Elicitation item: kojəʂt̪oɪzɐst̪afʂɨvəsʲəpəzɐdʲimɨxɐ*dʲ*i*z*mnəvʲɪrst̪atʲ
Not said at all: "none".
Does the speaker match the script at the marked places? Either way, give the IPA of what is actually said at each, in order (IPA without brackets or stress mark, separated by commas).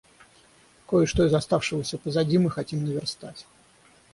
tʲ, none